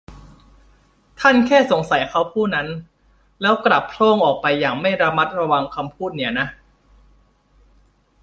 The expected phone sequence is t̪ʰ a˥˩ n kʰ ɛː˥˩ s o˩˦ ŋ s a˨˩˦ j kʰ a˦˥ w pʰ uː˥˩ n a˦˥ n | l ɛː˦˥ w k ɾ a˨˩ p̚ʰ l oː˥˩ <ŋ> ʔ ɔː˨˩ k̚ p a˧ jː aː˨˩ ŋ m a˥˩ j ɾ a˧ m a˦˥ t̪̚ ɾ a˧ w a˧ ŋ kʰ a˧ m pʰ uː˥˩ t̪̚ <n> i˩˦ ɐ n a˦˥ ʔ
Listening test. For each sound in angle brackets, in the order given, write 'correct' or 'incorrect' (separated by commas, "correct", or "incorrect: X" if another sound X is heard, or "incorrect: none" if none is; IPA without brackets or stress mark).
correct, correct